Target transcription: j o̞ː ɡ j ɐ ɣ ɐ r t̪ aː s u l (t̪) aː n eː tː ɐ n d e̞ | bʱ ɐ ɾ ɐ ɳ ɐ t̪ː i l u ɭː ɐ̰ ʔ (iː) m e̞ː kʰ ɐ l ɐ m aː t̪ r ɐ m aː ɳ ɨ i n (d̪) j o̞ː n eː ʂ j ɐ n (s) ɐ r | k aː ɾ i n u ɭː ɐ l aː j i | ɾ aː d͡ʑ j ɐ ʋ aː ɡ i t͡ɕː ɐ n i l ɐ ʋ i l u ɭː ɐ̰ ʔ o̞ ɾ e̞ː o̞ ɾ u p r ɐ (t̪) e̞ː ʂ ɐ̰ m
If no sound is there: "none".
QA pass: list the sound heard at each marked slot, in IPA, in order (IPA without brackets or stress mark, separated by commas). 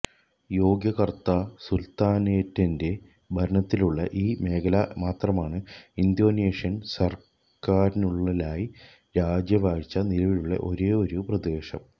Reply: t̪, iː, d̪, s, d̪